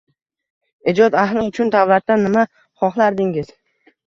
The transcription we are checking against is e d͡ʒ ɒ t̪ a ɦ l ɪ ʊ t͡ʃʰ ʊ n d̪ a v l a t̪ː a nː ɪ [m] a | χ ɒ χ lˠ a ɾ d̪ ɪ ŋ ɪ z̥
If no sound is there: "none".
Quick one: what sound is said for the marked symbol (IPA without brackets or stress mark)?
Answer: m